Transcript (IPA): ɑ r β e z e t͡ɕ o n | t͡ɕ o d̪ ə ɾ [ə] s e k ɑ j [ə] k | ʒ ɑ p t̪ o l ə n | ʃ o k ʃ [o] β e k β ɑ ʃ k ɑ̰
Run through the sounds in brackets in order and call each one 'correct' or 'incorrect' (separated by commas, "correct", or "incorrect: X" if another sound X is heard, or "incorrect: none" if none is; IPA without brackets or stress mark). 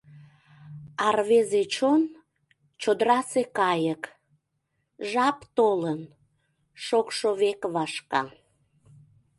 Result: incorrect: ɑ, correct, correct